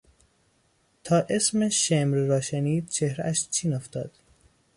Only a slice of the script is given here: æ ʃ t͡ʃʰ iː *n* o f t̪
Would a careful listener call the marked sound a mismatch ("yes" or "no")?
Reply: no